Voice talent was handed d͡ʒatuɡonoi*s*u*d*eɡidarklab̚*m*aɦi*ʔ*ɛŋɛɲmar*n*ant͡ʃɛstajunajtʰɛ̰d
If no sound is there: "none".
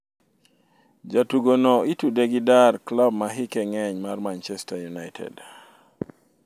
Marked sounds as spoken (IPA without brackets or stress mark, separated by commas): t, d, m, k, m